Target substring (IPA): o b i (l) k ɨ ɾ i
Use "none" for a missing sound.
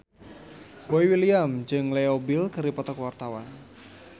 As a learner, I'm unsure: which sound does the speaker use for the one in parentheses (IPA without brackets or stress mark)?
l